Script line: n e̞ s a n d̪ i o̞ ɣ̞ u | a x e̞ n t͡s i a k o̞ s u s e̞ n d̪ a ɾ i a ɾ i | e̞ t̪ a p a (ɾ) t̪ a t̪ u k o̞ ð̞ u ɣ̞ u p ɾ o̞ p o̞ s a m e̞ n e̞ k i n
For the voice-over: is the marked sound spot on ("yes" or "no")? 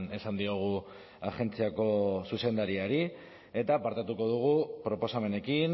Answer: yes